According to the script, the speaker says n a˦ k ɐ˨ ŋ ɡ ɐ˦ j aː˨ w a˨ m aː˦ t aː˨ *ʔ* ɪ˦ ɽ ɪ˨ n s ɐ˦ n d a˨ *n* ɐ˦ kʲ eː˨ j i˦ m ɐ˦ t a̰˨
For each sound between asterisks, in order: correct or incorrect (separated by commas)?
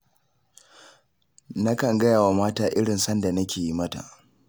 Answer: correct, correct